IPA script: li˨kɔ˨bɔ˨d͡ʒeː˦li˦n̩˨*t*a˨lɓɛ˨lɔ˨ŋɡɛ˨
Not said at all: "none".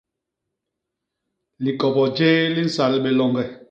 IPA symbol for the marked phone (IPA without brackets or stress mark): s